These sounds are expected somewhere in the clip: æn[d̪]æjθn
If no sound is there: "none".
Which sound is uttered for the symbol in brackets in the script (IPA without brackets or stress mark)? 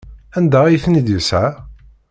d̪